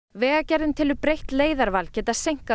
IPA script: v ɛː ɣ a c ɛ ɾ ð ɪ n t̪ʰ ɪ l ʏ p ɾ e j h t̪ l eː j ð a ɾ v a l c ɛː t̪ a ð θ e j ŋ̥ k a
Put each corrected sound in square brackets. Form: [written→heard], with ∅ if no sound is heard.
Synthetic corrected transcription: v ɛː ɣ a c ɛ ɾ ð ɪ n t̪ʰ ɪ l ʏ p ɾ e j h t̪ l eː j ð a ɾ v a l c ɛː t̪ a ð [θ→s] e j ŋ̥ k a